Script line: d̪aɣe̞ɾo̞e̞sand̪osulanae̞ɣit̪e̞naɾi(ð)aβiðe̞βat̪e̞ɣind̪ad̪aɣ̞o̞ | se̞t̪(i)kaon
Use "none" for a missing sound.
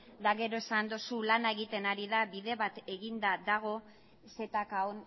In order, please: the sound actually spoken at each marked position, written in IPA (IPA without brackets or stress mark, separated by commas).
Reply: ð, a